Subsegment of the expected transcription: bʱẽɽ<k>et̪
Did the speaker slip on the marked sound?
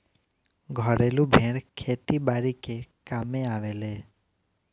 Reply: yes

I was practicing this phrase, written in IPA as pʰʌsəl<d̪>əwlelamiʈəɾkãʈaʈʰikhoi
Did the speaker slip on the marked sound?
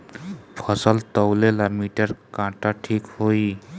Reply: yes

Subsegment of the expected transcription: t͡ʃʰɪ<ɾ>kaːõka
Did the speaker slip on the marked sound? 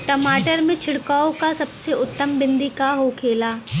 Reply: yes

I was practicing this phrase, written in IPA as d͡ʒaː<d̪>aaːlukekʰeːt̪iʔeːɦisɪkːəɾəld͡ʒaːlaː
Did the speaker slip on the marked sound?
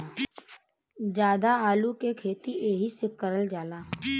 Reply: no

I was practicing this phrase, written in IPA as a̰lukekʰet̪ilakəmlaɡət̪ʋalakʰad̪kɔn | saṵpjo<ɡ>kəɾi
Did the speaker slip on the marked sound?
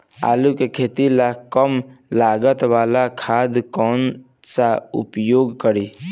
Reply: no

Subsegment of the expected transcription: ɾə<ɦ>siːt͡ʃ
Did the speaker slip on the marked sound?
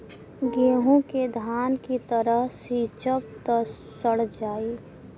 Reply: no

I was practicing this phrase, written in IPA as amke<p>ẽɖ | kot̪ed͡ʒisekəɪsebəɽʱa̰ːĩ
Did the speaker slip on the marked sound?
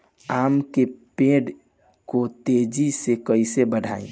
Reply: no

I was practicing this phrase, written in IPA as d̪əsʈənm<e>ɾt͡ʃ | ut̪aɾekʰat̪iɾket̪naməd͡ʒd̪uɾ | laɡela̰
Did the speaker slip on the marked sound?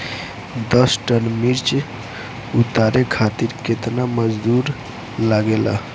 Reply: yes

